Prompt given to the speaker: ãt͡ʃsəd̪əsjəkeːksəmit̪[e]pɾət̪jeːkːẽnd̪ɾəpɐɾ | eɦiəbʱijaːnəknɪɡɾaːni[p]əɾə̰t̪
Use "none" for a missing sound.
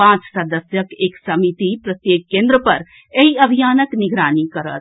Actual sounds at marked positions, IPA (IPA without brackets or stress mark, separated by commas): i, k